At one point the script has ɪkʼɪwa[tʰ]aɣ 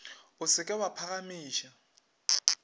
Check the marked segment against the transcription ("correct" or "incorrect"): incorrect